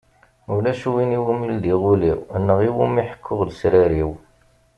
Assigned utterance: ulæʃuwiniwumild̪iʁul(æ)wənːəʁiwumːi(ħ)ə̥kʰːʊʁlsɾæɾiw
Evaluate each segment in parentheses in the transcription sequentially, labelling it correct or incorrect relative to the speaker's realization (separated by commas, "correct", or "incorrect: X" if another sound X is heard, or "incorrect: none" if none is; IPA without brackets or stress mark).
incorrect: i, correct